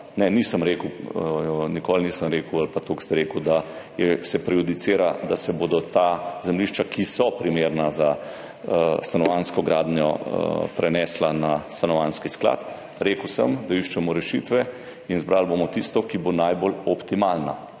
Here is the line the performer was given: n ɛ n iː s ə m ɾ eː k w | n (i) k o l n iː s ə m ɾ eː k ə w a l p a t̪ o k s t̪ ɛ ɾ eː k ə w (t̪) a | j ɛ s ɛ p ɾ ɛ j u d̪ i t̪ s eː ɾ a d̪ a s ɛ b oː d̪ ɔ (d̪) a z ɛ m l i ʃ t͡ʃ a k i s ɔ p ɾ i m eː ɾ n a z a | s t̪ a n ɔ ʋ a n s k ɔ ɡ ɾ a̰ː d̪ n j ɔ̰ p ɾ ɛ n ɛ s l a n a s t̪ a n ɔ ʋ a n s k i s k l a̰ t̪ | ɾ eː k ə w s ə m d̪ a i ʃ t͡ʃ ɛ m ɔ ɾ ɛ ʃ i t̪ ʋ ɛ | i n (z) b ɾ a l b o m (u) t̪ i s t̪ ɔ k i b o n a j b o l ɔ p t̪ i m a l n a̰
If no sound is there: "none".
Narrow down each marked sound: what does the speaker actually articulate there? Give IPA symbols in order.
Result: i, d̪, t̪, z, ɔ

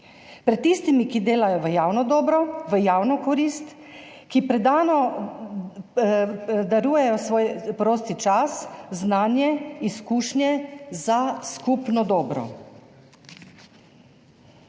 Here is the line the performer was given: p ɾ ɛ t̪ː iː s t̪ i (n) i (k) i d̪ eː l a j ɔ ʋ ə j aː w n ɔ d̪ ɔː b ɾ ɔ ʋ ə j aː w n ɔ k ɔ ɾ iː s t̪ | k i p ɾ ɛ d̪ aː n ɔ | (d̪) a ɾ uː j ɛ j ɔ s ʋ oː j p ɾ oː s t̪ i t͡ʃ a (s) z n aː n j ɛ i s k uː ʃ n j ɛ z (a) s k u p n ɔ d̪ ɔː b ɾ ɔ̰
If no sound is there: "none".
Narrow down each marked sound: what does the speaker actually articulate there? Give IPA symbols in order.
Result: m, k, d̪, s, a

